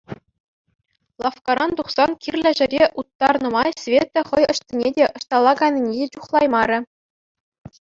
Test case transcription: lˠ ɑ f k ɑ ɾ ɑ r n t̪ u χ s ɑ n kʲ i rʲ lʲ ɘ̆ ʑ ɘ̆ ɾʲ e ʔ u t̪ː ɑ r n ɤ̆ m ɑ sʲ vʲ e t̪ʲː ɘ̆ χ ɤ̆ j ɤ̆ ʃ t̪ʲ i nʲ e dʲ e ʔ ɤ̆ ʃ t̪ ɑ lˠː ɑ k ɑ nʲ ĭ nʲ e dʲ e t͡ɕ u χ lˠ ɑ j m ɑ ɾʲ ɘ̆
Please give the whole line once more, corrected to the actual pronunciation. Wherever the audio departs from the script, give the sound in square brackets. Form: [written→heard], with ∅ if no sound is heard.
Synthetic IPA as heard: lˠ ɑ f k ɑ ɾ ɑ [r→∅] n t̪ u χ s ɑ n kʲ i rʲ lʲ ɘ̆ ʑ ɘ̆ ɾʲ e ʔ u t̪ː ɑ r n ɤ̆ m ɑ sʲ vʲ e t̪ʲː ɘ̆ χ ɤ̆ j ɤ̆ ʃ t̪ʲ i nʲ e dʲ e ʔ ɤ̆ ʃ t̪ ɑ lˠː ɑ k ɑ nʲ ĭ nʲ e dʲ e t͡ɕ u χ lˠ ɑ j m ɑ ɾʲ ɘ̆